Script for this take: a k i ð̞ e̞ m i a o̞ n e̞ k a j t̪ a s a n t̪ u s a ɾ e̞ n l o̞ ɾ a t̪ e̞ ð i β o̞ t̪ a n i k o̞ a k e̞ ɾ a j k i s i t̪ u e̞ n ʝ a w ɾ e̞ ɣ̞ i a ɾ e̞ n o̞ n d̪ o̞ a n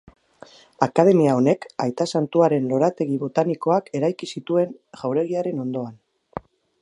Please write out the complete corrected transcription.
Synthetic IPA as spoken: a k a ð̞ e̞ m i a o̞ n e̞ k a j t̪ a s a n t̪ u a ɾ e̞ n l o̞ ɾ a t̪ e̞ ɣ i β o̞ t̪ a n i k o̞ a k e̞ ɾ a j k i s i t̪ u e̞ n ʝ a w ɾ e̞ ɣ̞ i a ɾ e̞ n o̞ n d̪ o̞ a n